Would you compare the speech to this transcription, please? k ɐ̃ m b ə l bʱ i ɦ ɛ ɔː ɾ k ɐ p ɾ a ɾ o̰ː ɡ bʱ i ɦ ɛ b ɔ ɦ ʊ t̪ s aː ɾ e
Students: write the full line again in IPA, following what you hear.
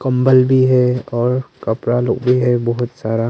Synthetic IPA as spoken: k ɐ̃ m b ə l bʱ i ɦ ɛ ɔː ɾ k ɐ p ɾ a l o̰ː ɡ bʱ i ɦ ɛ b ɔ ɦ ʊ t̪ s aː ɾ a